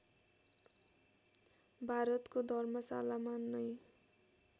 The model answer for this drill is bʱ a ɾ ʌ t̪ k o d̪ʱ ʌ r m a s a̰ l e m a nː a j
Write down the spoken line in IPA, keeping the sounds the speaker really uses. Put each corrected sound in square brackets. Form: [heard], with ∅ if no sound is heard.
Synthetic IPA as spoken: bʱ a ɾ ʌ t̪ k o d̪ʱ ʌ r m [ʌ] s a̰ l [a] m a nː [ʌ] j

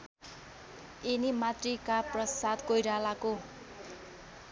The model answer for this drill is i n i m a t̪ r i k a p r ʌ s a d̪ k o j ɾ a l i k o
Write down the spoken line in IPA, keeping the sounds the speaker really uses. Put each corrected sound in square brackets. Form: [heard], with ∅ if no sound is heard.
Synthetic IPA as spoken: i n i m a t̪ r i k a p r ʌ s a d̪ k o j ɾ a l [a] k o

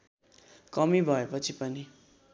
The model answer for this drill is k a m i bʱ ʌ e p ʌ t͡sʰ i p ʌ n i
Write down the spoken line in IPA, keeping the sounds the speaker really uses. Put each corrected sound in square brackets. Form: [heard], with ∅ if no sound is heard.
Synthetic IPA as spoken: k [ʌ] m i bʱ ʌ e p ʌ t͡sʰ i p ʌ n i

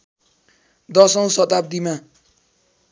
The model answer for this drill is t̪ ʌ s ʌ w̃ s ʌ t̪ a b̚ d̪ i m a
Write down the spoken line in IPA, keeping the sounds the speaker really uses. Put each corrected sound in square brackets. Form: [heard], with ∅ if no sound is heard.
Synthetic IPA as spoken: [d̪] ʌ s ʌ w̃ s ʌ t̪ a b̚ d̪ i m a

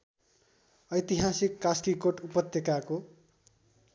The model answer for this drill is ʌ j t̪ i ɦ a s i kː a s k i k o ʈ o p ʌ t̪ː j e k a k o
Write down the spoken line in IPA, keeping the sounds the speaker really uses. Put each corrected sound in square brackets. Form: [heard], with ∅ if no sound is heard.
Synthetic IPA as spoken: ʌ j t̪ i ɦ a s i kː a s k i k o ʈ [u] p ʌ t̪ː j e k a k o

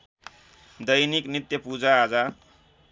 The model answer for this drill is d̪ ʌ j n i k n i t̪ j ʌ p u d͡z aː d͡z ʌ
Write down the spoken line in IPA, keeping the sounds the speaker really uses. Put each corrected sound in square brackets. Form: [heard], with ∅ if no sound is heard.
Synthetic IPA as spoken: d̪ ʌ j n i k n i t̪ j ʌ p u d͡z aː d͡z [a]

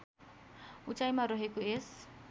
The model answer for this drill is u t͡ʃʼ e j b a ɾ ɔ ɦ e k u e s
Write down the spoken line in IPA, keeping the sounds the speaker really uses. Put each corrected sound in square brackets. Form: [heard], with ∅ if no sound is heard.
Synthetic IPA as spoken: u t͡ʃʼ [a] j [m] a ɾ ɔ ɦ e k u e s

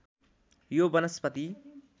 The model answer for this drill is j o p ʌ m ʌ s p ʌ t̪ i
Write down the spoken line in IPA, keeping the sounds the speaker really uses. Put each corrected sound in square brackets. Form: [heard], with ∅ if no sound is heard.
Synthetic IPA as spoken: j o [b] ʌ [n] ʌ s p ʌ t̪ i

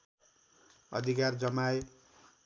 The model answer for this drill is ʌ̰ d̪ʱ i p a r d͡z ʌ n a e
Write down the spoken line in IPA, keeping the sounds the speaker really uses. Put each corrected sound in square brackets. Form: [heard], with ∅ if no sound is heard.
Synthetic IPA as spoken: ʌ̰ d̪ʱ i [k] a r d͡z ʌ [m] a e

